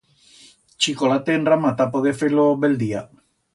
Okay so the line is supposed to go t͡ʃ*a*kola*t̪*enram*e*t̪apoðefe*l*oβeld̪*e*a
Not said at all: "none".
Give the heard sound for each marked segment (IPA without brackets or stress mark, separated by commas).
i, t̪, a, l, i